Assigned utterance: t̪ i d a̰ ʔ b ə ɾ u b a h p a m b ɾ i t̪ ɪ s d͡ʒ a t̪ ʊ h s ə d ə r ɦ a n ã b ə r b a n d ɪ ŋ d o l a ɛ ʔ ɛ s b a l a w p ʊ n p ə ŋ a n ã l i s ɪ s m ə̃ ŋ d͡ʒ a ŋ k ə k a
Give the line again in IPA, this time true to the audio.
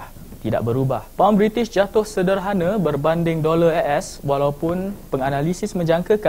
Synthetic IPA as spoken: t̪ i d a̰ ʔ b ə ɾ u b a h p a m b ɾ i t̪ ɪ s d͡ʒ a t̪ ʊ h s ə d ə r ɦ a n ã b ə r b a n d ɪ ŋ d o l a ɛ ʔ ɛ s w a l a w p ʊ n p ə ŋ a n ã l i s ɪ s m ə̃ ɲ d͡ʒ a ŋ k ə k a